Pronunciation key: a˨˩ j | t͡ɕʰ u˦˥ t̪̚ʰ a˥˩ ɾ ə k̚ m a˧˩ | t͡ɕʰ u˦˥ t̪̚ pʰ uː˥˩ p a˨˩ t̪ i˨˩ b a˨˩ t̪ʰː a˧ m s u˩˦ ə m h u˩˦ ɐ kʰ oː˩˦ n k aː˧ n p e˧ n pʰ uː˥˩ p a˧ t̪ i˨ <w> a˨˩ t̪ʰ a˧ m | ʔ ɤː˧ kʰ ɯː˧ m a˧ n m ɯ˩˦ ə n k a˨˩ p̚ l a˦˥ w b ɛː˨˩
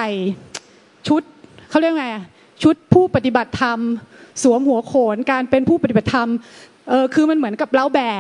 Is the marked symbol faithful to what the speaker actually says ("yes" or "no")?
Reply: no